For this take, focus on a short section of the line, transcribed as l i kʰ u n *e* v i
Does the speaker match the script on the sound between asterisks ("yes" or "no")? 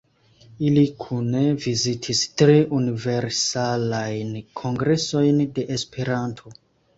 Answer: yes